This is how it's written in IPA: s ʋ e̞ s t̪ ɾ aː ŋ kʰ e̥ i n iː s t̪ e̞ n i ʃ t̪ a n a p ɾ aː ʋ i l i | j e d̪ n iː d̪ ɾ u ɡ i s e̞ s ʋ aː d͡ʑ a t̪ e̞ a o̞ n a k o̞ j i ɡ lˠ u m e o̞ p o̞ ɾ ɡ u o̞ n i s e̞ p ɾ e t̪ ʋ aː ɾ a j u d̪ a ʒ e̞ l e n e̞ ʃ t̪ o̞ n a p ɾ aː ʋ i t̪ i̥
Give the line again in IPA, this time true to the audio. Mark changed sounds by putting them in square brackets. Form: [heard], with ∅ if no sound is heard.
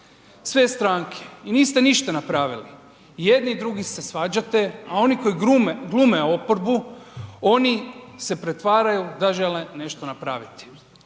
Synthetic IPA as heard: s ʋ e̞ s t̪ ɾ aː ŋ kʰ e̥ i n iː s t̪ e̞ n i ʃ t̪ a n a p ɾ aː ʋ i l i | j e d̪ n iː d̪ ɾ u ɡ i s e̞ s ʋ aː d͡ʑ a t̪ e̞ a o̞ n [i] k o̞ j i ɡ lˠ u m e o̞ p o̞ ɾ [b] u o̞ n i s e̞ p ɾ e t̪ ʋ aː ɾ a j u d̪ a ʒ e̞ l e n e̞ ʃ t̪ o̞ n a p ɾ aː ʋ i t̪ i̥